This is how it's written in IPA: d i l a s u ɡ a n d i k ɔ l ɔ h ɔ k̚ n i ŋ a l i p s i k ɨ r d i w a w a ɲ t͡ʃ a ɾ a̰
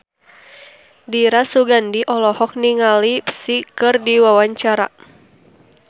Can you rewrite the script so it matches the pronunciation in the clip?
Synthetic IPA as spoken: d i ɾ a s u ɡ a n d i ʔ ɔ l ɔ h ɔ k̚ n i ŋ a l i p s i k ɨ r d i w a w a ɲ t͡ʃ a ɾ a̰